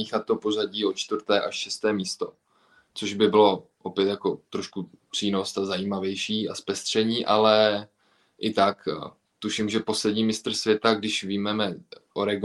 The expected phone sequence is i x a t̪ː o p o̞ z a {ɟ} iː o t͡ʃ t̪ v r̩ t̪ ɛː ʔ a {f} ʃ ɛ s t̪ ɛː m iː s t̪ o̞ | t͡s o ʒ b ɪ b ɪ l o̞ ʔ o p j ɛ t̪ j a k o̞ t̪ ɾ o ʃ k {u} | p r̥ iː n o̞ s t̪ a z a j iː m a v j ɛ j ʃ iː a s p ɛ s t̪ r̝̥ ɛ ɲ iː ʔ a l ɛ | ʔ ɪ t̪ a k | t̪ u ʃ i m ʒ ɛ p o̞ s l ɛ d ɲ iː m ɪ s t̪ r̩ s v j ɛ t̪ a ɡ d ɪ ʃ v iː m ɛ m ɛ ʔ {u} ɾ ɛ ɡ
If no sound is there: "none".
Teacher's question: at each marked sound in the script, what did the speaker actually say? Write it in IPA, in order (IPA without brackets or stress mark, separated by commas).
ɟ, ʃ, u, o